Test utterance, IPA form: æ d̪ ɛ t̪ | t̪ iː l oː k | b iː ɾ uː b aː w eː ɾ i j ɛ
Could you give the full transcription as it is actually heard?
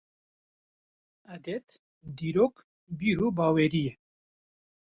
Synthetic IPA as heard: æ d̪ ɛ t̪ | d̪ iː ɾ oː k | b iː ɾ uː b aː w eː ɾ i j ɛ